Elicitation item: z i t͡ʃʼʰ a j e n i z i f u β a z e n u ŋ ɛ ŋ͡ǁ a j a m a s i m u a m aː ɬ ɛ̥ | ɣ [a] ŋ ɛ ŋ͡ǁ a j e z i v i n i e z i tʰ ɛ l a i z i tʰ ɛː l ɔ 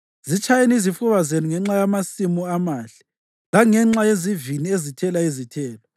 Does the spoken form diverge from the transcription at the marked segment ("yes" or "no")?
no